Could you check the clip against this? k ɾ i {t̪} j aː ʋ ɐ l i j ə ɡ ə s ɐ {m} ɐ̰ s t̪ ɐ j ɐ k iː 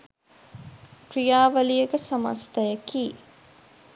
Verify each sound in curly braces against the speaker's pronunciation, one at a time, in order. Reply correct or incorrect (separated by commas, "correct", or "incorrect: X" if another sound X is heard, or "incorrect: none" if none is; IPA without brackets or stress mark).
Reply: incorrect: none, correct